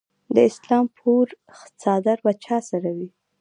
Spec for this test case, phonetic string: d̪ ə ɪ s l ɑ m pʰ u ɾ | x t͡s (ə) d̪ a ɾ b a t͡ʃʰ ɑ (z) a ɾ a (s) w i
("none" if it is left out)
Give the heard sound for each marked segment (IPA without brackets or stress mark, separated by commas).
ɑ, s, none